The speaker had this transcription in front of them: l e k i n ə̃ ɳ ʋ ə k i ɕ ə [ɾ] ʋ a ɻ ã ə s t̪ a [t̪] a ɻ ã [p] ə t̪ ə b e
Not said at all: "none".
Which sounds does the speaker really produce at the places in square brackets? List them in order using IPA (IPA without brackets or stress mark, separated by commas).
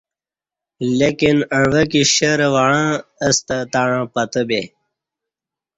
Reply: ɾ, t̪, p